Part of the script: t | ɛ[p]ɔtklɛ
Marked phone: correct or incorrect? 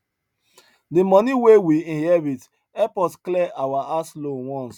correct